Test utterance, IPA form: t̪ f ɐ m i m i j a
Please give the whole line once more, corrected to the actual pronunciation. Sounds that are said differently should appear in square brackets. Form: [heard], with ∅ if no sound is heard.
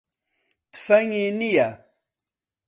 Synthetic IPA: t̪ f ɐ [ŋ] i [n] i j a